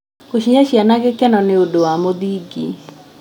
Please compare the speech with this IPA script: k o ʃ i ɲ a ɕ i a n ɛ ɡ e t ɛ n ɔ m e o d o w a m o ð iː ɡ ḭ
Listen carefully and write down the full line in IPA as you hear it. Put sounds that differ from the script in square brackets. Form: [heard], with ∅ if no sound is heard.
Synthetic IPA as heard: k o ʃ i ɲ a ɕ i a n [a] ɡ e [k] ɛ n ɔ [n] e o d o w a m o ð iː ɡ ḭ